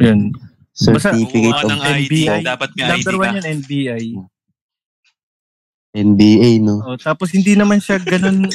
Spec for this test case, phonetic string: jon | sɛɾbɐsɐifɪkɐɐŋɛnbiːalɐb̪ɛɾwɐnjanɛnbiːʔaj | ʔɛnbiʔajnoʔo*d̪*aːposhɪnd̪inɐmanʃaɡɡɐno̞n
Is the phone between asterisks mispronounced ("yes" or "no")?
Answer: yes